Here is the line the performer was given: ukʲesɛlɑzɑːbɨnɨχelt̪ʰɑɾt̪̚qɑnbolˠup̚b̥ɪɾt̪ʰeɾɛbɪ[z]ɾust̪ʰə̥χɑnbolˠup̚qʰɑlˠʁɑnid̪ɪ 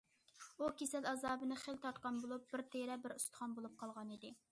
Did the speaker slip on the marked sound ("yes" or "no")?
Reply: yes